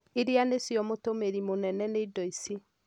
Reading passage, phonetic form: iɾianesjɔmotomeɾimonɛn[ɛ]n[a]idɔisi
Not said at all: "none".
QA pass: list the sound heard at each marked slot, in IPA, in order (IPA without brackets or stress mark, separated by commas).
ɛ, e